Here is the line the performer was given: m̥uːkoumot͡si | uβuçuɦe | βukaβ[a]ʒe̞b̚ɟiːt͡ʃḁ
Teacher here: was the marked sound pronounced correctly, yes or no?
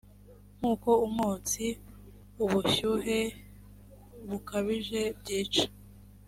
no